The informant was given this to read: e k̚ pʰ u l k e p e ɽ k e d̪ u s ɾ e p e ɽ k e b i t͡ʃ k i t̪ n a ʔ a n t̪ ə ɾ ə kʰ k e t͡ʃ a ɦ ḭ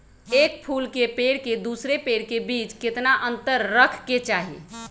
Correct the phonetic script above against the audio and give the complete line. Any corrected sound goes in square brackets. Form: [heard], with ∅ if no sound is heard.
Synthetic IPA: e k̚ pʰ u l k e p e ɽ k e d̪ u s ɾ e p e ɽ k e b i t͡ʃ k [e] t̪ n a ʔ [ə] n t̪ ə [ɾː] ə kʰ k e t͡ʃ a ɦ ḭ